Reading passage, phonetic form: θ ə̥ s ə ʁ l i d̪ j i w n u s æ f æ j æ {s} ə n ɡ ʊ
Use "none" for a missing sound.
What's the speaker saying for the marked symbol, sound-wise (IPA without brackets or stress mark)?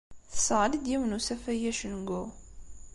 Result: ʃ